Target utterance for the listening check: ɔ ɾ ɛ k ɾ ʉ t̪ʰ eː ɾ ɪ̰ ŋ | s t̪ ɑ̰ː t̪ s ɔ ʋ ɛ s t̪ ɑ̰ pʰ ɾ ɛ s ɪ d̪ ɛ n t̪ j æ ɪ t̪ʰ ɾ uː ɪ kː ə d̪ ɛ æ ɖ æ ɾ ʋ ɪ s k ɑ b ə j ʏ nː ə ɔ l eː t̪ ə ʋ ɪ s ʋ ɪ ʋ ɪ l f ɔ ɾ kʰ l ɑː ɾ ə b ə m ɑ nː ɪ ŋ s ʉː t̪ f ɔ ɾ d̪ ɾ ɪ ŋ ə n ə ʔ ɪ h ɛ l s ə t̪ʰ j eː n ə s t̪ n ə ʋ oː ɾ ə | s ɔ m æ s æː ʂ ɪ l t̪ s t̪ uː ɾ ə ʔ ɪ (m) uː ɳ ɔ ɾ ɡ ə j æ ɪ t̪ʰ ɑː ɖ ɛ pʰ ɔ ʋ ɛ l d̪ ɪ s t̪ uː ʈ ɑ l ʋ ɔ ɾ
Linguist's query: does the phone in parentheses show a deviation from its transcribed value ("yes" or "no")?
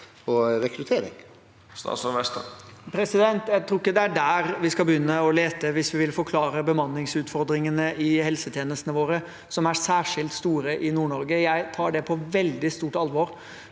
yes